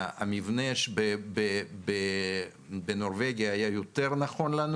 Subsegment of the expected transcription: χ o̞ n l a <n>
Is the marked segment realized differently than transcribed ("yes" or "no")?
no